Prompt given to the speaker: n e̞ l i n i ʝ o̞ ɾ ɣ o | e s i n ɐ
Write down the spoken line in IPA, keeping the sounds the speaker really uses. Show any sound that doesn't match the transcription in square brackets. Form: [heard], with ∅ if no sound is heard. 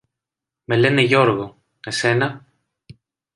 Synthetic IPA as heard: [m] e̞ l [e] n [e] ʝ o̞ ɾ ɣ o | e s [e] n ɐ